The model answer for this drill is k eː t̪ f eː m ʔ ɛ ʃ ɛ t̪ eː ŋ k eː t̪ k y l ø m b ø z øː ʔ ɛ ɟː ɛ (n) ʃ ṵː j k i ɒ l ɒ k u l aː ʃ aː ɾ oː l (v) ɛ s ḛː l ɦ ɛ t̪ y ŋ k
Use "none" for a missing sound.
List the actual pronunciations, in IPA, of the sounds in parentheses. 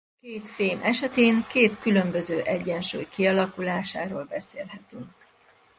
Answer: n, b

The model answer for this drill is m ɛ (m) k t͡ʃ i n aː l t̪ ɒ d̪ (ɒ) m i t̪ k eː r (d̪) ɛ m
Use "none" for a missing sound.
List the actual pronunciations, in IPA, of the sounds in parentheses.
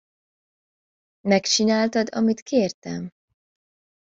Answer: none, ɒ, t̪

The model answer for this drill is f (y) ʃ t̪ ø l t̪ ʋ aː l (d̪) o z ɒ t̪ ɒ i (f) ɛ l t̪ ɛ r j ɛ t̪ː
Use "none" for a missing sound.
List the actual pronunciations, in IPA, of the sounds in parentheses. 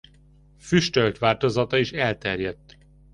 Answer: y, t̪, ʃ

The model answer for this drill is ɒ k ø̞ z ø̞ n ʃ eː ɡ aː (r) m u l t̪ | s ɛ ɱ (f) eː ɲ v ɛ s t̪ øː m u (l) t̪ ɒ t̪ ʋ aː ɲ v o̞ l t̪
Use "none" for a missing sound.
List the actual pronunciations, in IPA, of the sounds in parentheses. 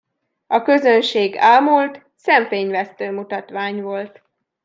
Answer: l, f, none

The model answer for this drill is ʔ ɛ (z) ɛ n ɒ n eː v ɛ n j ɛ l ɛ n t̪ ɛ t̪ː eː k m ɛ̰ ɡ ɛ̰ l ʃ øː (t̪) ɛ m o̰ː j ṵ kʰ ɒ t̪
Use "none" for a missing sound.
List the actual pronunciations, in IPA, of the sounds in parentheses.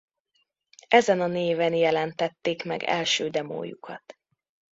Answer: z, d̪

